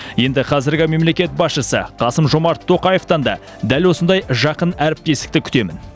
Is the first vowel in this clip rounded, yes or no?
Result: no